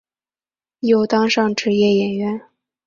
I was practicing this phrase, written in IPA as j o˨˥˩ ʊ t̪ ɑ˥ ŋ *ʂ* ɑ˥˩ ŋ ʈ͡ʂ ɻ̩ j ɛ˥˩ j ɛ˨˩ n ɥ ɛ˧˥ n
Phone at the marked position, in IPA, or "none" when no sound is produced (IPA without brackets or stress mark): ʂ